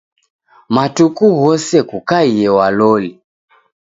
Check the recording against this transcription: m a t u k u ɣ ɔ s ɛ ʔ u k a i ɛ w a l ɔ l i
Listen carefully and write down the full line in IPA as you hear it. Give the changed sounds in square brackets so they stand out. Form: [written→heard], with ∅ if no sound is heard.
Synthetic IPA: m a t u k u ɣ ɔ s ɛ [ʔ→k] u k a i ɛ w a l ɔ l i